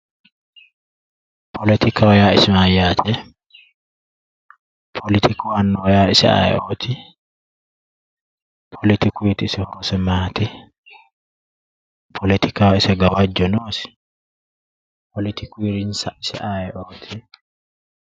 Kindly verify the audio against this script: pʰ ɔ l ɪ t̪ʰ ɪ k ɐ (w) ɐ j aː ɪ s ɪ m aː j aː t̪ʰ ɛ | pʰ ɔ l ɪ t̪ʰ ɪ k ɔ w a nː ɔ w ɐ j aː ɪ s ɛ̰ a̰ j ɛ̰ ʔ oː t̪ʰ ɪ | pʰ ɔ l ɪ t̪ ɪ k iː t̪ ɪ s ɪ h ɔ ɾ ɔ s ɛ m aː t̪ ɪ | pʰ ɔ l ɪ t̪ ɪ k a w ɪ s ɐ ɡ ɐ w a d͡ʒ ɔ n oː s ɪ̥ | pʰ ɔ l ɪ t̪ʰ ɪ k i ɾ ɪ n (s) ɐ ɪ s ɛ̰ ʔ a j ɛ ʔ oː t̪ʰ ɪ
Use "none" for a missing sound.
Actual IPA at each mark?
w, s

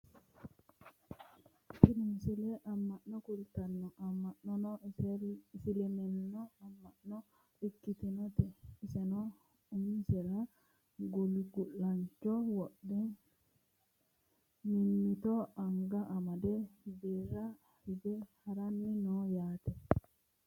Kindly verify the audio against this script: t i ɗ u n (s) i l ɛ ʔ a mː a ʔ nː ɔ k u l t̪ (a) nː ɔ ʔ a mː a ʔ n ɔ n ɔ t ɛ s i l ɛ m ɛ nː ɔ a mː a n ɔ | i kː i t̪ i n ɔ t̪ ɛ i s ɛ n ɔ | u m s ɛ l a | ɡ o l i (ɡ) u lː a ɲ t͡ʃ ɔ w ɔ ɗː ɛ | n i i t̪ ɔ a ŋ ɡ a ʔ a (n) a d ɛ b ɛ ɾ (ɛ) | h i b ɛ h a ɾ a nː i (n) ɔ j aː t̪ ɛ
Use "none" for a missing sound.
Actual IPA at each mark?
s, a, ɡ, m, a, n

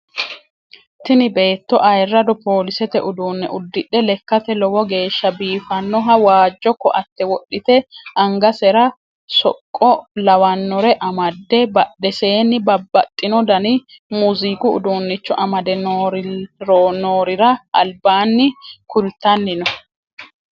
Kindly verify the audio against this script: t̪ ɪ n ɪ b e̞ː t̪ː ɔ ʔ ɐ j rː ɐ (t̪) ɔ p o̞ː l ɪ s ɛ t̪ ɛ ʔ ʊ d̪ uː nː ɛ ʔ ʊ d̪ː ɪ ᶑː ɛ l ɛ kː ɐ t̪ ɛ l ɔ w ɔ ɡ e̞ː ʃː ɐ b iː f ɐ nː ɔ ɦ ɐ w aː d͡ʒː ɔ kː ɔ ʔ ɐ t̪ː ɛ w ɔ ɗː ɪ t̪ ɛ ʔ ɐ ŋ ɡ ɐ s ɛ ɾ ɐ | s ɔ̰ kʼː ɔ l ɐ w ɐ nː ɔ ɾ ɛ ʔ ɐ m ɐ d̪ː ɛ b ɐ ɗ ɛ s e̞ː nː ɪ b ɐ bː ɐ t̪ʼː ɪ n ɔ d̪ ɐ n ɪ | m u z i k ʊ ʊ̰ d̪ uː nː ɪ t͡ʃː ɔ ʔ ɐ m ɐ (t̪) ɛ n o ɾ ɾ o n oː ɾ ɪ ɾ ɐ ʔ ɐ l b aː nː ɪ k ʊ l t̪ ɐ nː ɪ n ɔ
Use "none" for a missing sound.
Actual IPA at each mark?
d̪, d̪

